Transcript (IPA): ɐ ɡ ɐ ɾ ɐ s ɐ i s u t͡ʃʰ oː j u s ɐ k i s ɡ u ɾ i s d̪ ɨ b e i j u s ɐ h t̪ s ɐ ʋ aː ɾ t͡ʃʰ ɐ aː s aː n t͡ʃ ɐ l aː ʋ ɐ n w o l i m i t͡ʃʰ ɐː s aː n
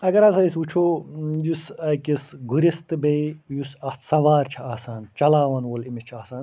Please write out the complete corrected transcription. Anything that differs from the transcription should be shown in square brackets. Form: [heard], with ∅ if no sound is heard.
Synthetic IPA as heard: ɐ ɡ ɐ ɾ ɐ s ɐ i s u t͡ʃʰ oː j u s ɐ k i s ɡ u ɾ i s [t̪] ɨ b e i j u s ɐ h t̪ s ɐ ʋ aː ɾ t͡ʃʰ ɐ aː s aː n t͡ʃ ɐ l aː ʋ ɐ n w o l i m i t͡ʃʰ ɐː s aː n